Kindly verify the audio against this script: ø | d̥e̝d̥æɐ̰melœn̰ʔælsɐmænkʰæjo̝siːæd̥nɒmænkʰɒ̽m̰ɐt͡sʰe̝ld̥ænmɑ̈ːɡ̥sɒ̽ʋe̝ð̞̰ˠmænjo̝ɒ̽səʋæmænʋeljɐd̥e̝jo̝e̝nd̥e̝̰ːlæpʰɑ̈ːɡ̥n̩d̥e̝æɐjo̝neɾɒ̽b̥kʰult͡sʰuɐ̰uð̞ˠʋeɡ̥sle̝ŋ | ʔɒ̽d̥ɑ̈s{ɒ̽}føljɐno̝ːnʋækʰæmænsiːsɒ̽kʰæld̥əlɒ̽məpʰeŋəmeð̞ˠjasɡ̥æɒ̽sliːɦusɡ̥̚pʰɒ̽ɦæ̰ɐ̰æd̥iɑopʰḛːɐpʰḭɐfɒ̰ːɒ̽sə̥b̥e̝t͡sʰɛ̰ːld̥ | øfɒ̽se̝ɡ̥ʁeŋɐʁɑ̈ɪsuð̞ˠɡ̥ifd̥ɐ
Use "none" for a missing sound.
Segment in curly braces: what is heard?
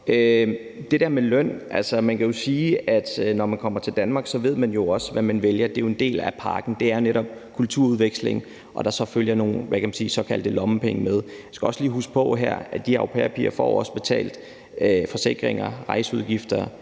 ɒ̽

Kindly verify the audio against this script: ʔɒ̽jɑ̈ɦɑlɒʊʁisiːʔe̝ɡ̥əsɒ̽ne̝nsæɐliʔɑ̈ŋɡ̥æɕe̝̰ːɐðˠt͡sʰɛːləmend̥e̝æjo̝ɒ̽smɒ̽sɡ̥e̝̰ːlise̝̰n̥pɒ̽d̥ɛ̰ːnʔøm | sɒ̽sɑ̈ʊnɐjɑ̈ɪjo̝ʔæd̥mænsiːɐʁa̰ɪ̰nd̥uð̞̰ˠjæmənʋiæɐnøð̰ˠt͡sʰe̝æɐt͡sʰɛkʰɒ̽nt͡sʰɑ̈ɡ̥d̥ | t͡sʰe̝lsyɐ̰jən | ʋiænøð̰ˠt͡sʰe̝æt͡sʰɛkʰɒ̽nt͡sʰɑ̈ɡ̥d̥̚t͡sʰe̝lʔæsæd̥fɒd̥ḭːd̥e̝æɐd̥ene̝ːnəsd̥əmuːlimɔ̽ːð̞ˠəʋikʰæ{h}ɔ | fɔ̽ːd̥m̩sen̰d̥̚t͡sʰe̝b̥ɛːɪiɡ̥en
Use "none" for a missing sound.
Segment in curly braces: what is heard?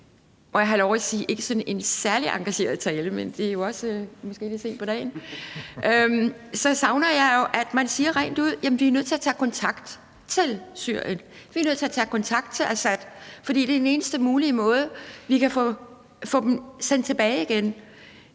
f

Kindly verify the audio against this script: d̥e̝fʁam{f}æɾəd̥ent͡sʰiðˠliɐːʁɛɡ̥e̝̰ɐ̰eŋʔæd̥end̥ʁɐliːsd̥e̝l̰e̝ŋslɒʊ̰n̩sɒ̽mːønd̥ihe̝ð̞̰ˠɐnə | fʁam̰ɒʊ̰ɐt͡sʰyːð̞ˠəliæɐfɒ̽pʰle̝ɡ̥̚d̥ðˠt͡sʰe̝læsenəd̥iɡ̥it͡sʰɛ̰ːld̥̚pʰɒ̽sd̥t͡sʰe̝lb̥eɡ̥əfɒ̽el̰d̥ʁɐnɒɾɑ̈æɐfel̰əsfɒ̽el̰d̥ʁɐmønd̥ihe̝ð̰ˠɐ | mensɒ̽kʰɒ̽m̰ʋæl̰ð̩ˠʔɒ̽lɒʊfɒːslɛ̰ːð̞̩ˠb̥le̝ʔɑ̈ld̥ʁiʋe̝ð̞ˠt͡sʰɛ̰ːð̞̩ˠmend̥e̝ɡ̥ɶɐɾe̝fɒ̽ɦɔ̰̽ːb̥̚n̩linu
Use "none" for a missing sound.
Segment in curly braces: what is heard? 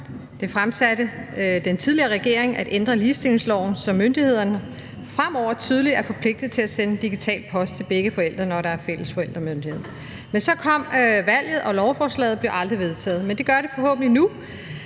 s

